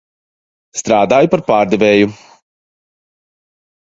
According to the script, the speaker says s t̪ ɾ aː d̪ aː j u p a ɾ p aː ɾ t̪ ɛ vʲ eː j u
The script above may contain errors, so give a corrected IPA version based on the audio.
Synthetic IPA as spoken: s t̪ ɾ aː d̪ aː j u p a ɾ p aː ɾ d̪ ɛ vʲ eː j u